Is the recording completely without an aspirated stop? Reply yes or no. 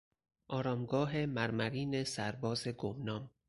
yes